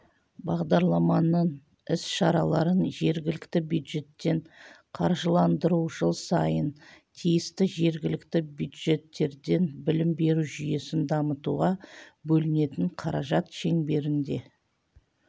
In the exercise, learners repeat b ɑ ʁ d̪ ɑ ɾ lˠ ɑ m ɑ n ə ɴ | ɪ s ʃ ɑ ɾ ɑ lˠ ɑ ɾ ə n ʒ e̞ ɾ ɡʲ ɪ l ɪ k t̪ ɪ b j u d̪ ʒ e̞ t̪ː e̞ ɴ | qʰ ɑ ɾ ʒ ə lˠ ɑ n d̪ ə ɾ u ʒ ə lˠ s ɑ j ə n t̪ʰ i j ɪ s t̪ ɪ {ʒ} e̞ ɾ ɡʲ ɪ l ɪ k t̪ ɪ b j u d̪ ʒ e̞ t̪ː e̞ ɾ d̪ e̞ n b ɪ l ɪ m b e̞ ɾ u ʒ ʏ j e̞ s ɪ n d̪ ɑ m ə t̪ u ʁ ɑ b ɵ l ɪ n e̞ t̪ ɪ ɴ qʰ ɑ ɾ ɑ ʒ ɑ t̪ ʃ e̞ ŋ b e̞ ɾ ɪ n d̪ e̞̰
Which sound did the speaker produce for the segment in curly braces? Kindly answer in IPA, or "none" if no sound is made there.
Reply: ʒ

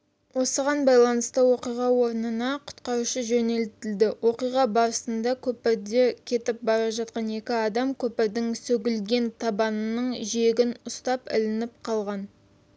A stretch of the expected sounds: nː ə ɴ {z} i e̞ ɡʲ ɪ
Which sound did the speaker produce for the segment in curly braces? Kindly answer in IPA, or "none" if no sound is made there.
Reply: ʒ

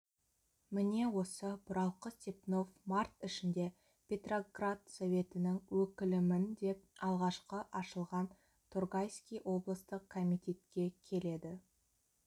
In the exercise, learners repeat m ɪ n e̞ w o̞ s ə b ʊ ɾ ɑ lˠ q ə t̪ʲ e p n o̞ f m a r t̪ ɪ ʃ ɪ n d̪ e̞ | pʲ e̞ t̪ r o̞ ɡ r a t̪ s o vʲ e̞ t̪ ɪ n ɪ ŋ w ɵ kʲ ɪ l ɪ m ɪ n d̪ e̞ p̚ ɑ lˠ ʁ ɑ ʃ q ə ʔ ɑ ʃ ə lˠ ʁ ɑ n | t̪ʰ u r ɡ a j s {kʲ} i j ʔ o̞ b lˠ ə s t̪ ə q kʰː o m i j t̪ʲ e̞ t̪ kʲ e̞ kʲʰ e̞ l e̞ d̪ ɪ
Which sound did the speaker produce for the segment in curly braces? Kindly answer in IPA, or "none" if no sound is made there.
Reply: kʲ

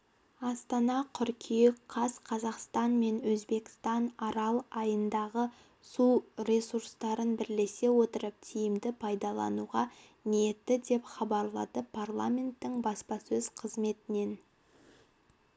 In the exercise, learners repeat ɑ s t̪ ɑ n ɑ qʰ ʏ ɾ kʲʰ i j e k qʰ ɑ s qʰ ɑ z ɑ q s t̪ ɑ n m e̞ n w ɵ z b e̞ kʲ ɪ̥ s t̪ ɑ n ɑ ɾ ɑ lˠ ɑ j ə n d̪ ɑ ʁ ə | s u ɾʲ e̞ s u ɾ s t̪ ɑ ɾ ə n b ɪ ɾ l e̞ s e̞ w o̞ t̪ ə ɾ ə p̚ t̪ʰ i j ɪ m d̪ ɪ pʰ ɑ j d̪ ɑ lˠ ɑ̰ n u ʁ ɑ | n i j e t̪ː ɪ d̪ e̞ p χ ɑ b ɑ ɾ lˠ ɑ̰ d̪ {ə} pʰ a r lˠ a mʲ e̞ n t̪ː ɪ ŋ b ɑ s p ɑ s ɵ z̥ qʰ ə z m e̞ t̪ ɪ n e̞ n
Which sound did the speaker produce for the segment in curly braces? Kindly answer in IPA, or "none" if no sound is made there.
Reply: ə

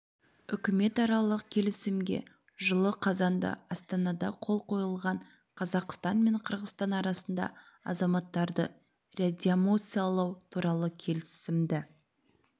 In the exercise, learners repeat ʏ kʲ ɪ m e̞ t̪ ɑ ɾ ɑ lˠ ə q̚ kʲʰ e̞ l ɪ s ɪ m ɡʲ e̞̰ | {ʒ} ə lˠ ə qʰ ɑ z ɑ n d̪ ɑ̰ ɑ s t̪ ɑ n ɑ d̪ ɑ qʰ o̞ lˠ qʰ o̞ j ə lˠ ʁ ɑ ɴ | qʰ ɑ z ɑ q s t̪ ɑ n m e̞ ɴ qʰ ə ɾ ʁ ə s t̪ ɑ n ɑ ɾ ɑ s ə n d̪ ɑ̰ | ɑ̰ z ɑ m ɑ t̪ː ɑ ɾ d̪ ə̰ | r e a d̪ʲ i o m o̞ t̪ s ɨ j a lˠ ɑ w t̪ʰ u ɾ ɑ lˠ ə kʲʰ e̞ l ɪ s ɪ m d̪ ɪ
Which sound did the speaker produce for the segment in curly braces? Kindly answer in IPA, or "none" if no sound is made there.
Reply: ʒ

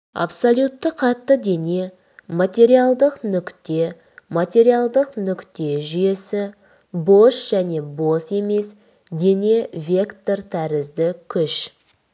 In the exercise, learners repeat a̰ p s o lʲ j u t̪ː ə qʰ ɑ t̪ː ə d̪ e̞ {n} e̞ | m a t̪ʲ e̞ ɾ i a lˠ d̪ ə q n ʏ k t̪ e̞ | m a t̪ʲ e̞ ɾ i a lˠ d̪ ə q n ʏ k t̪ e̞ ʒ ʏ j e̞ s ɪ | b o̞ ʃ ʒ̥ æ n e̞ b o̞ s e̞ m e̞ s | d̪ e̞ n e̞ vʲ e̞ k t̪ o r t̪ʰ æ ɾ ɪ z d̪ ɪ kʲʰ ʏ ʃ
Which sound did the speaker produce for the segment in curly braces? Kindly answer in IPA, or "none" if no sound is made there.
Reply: n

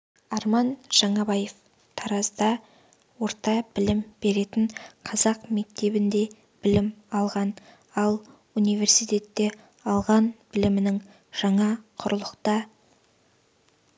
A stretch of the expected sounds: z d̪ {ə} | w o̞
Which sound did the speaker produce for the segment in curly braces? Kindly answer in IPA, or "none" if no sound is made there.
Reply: ɑ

